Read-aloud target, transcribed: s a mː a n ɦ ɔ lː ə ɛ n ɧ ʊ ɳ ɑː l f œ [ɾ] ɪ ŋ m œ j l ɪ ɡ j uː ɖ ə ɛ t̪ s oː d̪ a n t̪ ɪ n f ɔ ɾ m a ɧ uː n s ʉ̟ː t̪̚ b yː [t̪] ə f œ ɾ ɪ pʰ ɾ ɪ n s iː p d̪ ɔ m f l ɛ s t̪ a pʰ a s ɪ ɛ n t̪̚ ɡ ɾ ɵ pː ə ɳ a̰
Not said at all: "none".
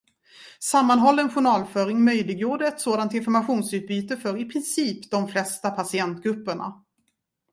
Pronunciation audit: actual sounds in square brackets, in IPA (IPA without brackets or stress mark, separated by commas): ɾ, t̪